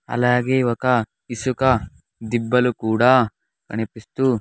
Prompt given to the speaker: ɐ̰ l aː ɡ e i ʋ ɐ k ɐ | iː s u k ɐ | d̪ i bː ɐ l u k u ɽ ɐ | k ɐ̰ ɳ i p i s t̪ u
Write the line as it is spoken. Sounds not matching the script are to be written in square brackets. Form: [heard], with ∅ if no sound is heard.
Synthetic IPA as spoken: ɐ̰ l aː ɡ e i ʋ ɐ k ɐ | [i] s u k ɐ | d̪ i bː ɐ l u k [uː] ɽ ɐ | k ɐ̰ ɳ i p i s t̪ u